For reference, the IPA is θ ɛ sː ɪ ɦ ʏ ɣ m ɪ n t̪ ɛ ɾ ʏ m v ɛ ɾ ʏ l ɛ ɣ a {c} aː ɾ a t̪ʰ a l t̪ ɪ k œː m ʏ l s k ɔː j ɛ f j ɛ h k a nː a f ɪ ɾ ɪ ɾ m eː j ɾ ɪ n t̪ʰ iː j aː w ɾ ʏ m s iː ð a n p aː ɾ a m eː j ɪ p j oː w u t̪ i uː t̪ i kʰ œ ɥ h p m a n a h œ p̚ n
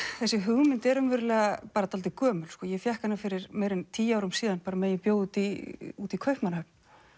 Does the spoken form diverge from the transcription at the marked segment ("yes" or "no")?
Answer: yes